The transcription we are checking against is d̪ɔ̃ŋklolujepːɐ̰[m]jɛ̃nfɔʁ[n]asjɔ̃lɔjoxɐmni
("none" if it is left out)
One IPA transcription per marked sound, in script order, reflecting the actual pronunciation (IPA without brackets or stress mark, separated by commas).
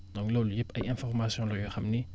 none, m